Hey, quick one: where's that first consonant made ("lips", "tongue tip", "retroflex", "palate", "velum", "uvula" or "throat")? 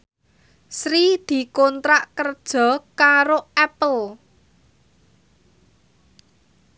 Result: tongue tip